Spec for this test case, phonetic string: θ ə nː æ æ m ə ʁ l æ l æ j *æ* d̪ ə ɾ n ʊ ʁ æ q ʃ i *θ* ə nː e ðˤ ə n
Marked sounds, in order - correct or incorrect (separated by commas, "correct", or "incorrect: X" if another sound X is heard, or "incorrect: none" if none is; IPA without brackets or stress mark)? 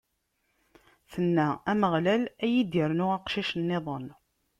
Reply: incorrect: i, incorrect: ʃ